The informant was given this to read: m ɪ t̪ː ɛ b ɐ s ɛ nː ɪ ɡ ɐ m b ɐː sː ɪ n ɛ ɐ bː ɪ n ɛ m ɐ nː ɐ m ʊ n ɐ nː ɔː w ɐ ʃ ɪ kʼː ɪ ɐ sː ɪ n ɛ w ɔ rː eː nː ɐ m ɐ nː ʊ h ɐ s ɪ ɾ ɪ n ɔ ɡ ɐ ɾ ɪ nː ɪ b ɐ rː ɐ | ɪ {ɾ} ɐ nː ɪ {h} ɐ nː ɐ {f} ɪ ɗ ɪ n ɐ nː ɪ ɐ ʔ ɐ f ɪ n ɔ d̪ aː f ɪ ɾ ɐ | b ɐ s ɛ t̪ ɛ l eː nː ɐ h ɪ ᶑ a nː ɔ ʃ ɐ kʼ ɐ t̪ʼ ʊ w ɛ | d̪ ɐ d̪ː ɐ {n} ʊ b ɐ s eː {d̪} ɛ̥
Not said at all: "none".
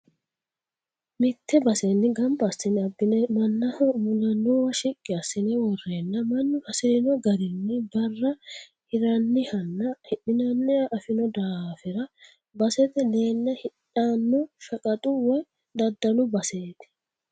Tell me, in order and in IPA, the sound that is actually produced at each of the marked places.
ɾ, h, h, n, t̪

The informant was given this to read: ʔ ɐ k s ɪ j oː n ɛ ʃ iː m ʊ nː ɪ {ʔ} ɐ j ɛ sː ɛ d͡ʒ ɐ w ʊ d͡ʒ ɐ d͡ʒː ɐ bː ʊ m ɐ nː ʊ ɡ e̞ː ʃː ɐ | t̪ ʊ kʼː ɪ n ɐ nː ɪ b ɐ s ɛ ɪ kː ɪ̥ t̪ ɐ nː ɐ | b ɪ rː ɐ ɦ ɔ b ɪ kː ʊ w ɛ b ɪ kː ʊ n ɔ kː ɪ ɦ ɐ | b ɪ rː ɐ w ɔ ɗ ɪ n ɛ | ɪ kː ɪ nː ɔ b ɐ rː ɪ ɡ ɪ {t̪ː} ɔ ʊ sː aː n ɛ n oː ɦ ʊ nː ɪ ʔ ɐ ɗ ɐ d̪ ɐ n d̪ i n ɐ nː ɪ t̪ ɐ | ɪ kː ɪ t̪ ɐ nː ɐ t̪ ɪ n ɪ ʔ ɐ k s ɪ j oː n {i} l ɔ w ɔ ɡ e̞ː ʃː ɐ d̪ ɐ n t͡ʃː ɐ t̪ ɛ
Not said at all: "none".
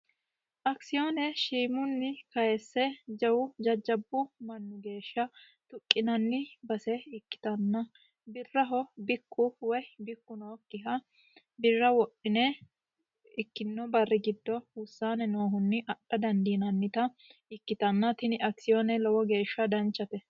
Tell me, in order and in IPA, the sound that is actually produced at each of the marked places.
k, d̪ː, ɛ

